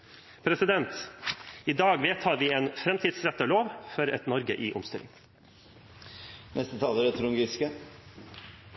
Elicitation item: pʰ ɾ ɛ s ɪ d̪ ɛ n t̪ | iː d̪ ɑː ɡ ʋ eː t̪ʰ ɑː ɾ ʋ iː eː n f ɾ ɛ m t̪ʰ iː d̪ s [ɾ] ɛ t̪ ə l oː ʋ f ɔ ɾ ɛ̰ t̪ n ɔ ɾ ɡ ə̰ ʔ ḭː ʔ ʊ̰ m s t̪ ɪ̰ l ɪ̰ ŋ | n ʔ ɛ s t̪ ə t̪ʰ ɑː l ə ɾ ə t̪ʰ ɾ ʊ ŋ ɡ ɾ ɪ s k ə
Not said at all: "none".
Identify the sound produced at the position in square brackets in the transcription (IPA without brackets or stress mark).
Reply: ɾ